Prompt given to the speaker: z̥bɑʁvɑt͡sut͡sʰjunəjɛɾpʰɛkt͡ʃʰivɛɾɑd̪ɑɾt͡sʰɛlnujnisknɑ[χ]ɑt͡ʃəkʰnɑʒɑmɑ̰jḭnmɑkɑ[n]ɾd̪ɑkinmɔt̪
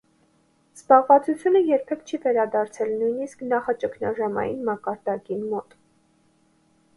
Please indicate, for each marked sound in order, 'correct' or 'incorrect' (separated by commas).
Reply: correct, incorrect